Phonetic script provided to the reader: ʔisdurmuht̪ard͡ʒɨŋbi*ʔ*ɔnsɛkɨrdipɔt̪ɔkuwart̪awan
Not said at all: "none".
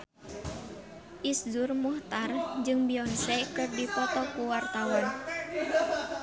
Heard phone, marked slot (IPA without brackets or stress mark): none